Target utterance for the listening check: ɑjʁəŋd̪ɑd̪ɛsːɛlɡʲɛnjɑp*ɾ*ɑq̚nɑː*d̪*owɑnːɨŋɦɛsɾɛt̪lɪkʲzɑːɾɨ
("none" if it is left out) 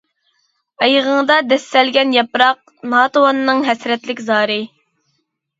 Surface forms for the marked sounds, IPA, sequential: ɾ, t̪

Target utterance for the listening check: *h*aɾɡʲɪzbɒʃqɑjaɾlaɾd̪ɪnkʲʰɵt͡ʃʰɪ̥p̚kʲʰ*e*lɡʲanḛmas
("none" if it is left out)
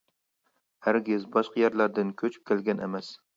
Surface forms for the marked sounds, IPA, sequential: h, e

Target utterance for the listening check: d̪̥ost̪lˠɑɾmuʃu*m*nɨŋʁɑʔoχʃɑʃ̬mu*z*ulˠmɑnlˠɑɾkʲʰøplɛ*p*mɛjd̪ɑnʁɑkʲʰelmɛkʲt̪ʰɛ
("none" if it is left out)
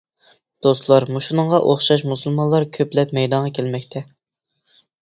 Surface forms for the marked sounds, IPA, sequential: none, s, p

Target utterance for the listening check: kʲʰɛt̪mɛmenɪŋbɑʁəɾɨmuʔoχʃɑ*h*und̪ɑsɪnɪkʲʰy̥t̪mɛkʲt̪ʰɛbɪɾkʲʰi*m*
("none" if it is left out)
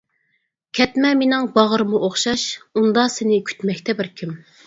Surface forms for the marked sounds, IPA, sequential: ʃ, m

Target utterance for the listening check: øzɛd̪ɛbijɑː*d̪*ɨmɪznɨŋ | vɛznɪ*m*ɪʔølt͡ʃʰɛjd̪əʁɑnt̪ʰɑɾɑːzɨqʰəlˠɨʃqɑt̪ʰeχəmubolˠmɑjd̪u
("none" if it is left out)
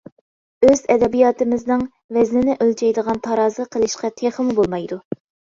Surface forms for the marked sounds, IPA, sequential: t̪, n

